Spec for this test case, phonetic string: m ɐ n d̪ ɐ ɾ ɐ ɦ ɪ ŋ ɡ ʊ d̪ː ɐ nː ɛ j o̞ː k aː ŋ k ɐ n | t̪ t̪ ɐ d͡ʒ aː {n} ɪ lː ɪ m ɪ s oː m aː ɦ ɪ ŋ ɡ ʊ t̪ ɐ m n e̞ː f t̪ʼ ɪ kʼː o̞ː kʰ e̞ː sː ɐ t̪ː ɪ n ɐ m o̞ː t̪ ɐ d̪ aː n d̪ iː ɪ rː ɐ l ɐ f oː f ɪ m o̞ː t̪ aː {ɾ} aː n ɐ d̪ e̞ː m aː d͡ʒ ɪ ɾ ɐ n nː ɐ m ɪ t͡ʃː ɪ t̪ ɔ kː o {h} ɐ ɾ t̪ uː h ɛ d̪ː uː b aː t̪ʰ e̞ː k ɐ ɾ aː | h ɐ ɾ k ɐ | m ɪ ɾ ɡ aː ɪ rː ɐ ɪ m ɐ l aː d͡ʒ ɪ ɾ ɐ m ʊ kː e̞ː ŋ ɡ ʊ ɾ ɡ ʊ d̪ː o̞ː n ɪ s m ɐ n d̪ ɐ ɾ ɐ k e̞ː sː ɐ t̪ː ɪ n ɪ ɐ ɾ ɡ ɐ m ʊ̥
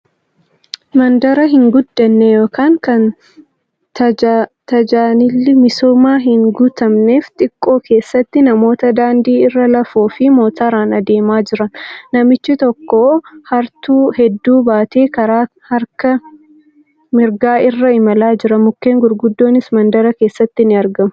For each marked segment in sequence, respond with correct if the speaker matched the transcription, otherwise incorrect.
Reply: correct, correct, correct

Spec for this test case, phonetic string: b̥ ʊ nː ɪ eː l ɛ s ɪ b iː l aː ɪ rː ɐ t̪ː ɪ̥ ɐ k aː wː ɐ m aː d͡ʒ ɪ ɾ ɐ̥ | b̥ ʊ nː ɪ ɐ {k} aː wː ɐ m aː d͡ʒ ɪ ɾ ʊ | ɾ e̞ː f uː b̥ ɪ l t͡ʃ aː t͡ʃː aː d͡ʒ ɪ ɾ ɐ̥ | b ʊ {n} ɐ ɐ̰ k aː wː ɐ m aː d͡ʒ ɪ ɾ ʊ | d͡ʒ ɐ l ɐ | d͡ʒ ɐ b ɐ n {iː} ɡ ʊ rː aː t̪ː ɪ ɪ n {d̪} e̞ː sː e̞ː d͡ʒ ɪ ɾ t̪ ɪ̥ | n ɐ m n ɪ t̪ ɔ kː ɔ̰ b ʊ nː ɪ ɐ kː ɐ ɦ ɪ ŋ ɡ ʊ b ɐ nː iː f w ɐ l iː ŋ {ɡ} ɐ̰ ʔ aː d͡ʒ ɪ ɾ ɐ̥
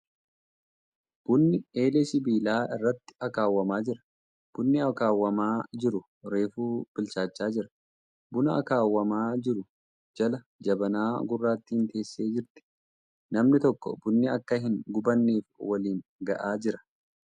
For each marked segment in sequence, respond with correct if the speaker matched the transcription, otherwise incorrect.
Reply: correct, correct, incorrect, incorrect, correct

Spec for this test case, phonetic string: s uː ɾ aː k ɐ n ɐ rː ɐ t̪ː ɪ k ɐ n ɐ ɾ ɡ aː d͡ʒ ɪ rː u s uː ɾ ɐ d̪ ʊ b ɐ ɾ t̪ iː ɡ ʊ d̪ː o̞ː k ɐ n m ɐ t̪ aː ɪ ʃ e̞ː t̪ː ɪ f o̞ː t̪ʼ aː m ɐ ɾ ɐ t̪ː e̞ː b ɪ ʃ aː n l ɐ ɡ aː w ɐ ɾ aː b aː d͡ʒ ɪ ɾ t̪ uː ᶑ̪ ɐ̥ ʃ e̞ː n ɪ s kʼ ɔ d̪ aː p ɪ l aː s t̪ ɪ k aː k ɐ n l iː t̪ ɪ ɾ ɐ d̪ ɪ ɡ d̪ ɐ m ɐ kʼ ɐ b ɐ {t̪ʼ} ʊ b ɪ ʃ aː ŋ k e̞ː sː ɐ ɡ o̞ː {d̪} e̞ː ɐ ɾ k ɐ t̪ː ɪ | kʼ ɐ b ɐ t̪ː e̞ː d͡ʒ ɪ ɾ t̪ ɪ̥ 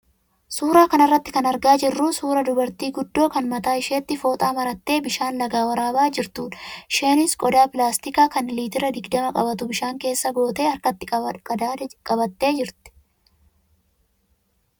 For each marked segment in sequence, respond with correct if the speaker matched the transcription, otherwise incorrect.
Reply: incorrect, incorrect

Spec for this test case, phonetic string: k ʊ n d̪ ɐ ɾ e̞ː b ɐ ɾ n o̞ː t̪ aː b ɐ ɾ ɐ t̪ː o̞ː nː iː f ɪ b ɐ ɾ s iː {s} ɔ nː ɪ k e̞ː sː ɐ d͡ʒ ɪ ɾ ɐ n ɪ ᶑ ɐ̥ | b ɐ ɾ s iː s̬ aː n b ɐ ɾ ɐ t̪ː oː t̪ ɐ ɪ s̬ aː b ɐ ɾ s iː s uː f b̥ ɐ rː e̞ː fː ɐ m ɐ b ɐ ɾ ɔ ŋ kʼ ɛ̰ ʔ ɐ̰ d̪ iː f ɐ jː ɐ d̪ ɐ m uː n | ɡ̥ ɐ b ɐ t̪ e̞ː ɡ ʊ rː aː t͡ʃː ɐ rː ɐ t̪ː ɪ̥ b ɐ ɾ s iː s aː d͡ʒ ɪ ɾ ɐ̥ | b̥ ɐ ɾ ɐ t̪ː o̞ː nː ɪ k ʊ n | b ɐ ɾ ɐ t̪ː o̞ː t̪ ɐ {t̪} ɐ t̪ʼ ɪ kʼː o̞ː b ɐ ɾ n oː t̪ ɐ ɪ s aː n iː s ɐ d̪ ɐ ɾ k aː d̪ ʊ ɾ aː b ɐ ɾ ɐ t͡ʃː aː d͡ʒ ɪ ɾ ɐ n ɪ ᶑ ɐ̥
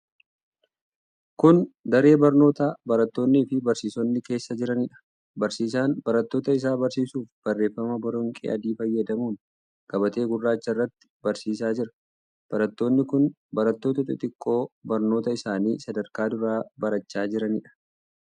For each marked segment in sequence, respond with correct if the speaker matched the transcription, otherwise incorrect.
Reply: correct, correct

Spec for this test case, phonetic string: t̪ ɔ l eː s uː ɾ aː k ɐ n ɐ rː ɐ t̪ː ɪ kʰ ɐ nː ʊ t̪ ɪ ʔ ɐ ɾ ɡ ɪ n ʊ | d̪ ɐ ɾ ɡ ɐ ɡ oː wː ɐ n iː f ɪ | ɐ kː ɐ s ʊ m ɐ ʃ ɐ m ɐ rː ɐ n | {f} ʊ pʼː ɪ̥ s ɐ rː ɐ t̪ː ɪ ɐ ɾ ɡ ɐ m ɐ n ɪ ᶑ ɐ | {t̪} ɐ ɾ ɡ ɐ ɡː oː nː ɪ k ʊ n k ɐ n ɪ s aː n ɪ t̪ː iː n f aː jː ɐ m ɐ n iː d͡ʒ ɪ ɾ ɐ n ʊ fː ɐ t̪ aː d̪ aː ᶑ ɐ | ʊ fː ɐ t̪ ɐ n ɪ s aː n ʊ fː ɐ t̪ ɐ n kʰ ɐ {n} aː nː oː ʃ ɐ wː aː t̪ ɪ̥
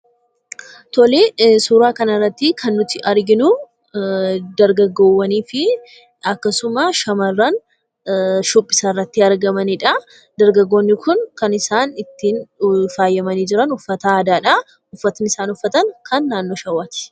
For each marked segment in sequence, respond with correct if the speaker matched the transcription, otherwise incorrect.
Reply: incorrect, incorrect, incorrect

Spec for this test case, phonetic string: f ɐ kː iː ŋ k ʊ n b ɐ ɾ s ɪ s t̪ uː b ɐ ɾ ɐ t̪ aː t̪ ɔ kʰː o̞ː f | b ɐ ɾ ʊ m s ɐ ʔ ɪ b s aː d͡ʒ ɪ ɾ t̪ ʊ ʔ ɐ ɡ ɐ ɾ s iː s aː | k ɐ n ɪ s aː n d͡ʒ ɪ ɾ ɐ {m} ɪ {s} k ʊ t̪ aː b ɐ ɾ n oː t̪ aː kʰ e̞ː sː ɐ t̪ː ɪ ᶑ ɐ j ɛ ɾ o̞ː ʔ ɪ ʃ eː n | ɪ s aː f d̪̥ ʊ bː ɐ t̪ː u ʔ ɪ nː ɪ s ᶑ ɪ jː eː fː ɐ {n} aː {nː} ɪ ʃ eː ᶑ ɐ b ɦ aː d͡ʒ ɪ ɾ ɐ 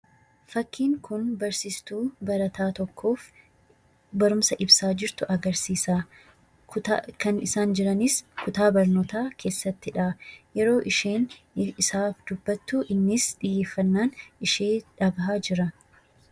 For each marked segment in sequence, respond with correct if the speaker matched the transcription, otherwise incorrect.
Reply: incorrect, correct, incorrect, incorrect

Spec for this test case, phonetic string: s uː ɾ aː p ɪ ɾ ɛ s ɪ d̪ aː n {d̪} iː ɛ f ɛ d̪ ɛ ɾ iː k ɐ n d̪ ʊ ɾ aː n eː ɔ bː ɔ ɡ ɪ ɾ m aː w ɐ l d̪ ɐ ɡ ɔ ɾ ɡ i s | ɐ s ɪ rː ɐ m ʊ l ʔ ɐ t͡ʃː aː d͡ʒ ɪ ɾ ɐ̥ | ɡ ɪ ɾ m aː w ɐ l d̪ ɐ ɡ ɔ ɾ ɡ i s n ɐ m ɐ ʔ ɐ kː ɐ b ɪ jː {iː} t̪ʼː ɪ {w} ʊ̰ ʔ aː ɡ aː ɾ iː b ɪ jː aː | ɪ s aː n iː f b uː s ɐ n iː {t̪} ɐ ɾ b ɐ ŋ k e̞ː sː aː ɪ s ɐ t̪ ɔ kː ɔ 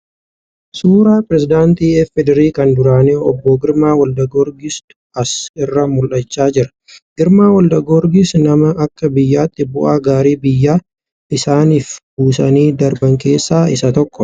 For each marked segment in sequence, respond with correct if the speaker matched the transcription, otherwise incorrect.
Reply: incorrect, incorrect, incorrect, incorrect

